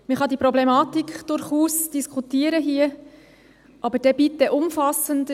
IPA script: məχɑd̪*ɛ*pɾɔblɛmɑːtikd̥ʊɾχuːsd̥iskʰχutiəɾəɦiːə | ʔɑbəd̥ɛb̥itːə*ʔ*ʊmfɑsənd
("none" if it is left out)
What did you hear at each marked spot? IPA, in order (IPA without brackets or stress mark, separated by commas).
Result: i, ʔ